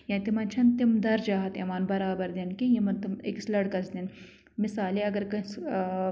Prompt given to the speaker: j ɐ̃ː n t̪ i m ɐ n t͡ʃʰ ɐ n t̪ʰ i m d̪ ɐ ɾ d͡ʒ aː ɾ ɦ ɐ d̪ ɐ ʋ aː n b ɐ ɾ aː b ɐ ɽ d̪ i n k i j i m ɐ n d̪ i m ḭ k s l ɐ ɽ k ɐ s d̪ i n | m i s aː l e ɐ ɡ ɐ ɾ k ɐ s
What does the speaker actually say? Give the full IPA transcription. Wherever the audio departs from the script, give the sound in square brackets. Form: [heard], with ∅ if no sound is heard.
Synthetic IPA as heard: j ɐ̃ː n t̪ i m ɐ n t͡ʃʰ ɐ n [t̪] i m d̪ ɐ ɾ d͡ʒ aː [∅] ɦ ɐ [t̪] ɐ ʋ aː n b ɐ ɾ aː b ɐ [ɾ] d̪ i n k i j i m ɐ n [t̪] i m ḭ k s l ɐ ɽ k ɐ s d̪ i n | m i s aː l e ɐ ɡ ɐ ɾ k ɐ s